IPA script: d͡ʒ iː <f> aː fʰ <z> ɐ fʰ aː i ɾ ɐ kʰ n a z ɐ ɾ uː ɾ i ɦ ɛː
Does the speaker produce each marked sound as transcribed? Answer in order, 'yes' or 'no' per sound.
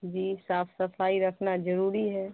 no, no

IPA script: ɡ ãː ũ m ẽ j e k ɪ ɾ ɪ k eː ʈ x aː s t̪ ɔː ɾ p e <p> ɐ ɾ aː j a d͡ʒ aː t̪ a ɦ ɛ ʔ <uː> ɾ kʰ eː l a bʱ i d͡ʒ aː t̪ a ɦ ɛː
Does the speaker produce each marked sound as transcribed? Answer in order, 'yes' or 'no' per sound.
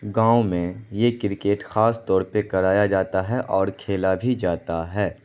no, no

